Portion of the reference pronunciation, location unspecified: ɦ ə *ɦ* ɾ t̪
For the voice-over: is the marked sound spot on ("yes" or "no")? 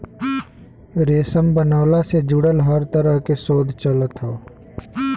no